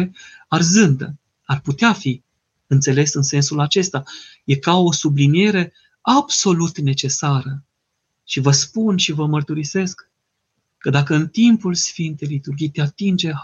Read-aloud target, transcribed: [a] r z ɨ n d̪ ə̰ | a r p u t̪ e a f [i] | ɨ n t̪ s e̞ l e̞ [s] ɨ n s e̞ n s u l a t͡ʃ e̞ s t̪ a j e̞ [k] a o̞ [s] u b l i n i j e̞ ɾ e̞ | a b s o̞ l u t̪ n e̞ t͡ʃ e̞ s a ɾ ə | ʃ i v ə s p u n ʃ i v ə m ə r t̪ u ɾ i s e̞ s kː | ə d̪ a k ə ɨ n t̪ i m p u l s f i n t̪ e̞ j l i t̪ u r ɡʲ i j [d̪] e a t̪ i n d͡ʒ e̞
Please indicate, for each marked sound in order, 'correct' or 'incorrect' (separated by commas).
correct, correct, correct, correct, correct, incorrect